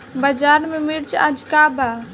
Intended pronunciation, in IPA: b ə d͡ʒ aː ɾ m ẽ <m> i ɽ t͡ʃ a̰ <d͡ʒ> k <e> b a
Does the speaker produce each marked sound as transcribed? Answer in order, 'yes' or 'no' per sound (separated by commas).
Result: yes, yes, no